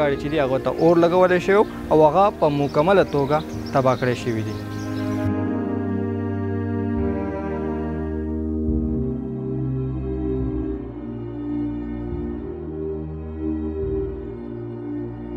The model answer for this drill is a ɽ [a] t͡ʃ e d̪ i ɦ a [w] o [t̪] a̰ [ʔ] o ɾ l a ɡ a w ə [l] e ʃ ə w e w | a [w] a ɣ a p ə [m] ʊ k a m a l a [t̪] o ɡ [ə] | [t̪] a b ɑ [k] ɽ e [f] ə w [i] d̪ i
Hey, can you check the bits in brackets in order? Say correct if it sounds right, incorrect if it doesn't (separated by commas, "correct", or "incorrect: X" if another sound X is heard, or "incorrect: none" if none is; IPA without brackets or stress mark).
incorrect: i, incorrect: ɣ, correct, correct, correct, correct, correct, correct, incorrect: a, correct, correct, incorrect: ʃ, correct